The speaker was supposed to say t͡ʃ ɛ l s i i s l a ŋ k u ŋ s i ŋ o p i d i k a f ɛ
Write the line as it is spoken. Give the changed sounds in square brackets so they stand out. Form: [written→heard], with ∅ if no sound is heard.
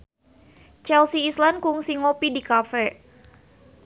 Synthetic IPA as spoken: t͡ʃ ɛ l s i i s l a [ŋ→n] k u ŋ s i ŋ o p i d i k a f ɛ